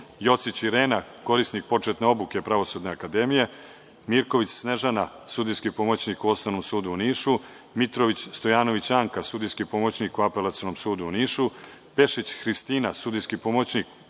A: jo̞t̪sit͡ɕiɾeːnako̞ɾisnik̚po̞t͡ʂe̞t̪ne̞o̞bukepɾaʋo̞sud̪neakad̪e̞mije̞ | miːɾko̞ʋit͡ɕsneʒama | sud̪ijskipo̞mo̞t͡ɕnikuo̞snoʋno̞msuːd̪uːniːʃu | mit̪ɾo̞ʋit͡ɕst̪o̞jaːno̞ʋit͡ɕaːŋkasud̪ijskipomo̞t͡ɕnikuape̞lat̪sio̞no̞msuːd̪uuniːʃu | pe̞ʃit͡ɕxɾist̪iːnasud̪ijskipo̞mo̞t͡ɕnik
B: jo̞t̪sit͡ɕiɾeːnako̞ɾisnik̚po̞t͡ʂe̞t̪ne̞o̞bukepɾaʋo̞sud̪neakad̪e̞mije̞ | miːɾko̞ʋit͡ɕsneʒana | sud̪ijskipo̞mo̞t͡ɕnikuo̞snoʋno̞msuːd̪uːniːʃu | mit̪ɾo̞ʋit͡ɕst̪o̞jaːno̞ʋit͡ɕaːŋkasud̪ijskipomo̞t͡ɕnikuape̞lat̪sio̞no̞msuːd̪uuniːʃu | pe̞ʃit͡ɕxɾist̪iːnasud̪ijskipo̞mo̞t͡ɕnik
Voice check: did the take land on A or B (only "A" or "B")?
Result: B